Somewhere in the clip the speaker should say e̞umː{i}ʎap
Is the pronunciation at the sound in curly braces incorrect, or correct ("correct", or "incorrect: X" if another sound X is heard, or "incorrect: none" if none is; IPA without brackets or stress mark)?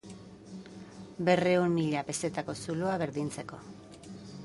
correct